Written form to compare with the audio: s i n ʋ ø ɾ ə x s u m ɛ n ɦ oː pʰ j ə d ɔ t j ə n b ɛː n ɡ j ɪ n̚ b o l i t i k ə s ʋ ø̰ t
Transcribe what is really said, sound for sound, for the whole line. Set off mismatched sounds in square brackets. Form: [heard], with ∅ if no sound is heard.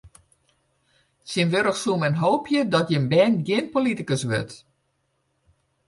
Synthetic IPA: s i n ʋ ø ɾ ə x s u m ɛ n ɦ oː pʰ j ə d ɔ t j ə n b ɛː n ɡ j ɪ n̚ [p] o l i t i k ə s ʋ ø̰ t